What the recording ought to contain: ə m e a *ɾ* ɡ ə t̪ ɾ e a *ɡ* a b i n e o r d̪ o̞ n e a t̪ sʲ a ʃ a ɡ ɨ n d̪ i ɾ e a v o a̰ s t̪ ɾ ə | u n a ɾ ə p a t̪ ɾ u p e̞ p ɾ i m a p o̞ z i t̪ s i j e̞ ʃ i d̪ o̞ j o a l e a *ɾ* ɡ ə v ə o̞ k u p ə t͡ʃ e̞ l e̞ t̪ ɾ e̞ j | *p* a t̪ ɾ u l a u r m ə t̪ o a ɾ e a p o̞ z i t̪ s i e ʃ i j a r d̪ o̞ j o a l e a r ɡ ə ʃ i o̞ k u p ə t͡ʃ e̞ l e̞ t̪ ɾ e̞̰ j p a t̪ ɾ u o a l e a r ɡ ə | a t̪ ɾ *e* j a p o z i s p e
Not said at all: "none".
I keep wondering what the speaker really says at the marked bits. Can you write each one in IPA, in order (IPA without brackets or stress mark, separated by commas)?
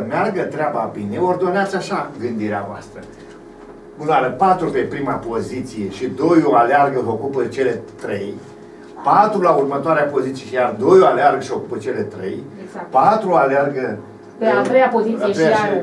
r, b, r, p, e